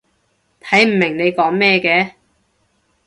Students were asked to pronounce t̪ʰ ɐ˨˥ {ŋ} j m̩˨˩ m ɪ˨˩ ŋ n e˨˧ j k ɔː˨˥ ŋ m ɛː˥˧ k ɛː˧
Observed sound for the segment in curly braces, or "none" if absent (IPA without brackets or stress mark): none